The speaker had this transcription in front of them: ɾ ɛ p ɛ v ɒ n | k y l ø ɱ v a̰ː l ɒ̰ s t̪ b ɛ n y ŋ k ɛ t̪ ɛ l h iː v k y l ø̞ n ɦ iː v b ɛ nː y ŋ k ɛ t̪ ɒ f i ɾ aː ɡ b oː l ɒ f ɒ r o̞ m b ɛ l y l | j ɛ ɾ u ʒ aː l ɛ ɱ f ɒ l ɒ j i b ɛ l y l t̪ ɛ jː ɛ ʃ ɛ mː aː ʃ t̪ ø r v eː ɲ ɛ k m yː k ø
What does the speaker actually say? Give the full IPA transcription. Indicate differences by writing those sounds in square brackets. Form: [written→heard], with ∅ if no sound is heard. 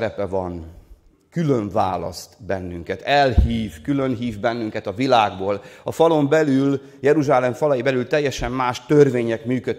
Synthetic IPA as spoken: ɾ ɛ p ɛ v ɒ n | k y l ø ɱ v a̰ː l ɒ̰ s t̪ b ɛ [n→nː] y ŋ k ɛ t̪ ɛ l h iː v k y l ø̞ n ɦ iː v b ɛ nː y ŋ k ɛ t̪ ɒ [f→v] i [ɾ→l] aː ɡ b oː l ɒ f ɒ [r→l] o̞ m b ɛ l y l | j ɛ ɾ u ʒ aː l ɛ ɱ f ɒ l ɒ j i b ɛ l y l t̪ ɛ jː ɛ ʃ ɛ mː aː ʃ t̪ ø r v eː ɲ ɛ k m yː k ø